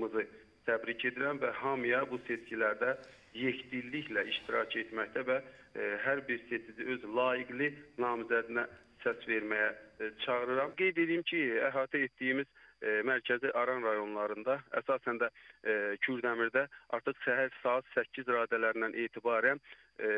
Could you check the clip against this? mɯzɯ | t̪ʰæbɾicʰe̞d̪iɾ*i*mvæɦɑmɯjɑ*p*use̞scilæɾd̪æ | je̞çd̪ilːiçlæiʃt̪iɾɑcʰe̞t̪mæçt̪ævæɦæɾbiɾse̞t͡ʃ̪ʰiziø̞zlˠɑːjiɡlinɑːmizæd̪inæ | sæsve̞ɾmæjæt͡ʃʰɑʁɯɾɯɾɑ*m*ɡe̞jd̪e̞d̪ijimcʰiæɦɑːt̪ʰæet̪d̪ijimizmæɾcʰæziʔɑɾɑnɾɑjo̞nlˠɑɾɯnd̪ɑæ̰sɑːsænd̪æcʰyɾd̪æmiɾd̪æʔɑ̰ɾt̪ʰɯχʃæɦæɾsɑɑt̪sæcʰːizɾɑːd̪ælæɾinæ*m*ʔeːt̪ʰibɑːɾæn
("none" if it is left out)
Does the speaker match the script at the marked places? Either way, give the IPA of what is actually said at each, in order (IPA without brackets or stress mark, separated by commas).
æ, b, m, n